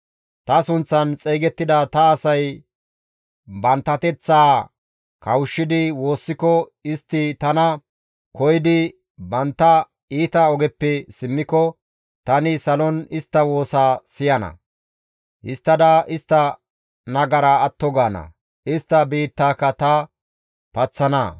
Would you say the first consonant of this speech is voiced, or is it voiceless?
voiceless